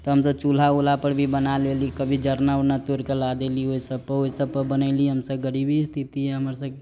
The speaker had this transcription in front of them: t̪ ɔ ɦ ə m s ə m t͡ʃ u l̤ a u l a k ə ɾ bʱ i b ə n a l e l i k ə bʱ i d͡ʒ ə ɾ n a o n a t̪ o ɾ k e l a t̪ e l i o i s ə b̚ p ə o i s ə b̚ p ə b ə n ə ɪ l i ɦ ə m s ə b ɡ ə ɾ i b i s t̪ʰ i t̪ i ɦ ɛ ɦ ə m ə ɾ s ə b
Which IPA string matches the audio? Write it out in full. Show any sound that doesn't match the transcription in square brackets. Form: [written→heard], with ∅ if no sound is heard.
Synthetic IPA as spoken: t̪ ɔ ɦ ə m s ə [m→b] t͡ʃ u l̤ a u l a [k→p] ə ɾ bʱ i b ə n a l e l i k ə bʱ i d͡ʒ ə ɾ n a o n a t̪ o ɾ k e l a [t̪→d̪] e l i o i s ə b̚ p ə o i s ə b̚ p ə b ə n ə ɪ l i ɦ ə m s ə b ɡ ə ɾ i b i s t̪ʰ i t̪ i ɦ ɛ ɦ ə m ə ɾ s ə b